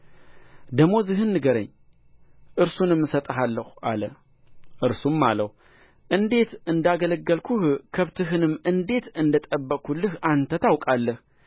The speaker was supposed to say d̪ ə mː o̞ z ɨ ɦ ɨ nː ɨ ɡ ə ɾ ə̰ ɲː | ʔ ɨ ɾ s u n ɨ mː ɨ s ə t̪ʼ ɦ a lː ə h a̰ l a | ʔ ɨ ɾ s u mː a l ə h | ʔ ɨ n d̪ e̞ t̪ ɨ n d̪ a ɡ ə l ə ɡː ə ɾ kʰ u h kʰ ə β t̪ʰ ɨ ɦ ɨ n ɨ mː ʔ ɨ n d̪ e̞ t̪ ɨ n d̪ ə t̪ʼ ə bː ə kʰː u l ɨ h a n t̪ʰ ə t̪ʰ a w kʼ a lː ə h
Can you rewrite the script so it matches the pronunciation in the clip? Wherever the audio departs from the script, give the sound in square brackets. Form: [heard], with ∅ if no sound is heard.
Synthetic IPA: d̪ ə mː o̞ z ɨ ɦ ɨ nː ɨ ɡ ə ɾ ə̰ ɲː | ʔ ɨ ɾ s u n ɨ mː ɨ s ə t̪ʼ ɦ a lː ə h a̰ l [ə] | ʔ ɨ ɾ s u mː a l ə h | ʔ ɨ n d̪ e̞ t̪ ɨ n d̪ a ɡ ə l ə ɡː ə [l] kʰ u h kʰ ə β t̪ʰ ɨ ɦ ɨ n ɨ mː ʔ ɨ n d̪ e̞ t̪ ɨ n d̪ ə t̪ʼ ə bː ə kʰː u l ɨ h a n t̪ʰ ə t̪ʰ a w kʼ a lː ə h